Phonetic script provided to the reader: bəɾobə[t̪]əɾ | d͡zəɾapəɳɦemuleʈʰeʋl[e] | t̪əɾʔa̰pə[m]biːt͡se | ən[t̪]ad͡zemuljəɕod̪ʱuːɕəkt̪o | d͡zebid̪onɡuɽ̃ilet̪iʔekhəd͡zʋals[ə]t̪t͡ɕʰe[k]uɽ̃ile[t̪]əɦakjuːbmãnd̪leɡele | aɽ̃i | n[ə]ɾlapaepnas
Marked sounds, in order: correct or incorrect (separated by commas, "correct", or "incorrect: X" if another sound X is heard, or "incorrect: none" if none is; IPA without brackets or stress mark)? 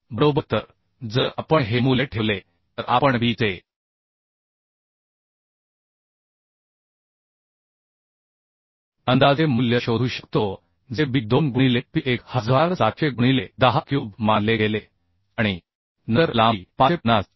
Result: correct, correct, incorrect: ɳ, incorrect: d̪, incorrect: a, incorrect: ɡ, incorrect: d̪, correct